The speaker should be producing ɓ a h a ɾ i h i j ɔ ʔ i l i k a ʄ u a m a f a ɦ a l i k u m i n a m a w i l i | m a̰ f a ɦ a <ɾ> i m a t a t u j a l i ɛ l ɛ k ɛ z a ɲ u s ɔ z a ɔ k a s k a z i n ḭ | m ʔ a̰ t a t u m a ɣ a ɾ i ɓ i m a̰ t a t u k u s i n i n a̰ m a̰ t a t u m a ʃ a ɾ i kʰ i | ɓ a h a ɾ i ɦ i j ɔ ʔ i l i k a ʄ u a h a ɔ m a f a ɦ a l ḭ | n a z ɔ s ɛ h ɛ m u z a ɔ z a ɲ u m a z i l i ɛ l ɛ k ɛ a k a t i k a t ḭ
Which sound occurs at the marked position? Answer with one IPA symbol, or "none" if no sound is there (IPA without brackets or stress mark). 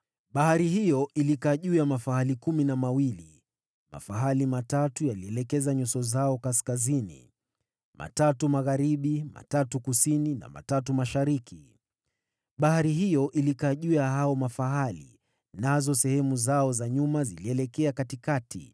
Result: l